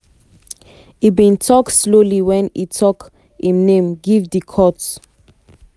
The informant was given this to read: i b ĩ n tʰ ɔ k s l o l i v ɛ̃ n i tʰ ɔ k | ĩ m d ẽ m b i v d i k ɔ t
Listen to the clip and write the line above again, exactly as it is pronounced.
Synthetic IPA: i b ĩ n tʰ ɔ k s l o l i w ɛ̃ n i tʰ ɔ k | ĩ m n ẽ m ɡ i v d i kʰ ɔ t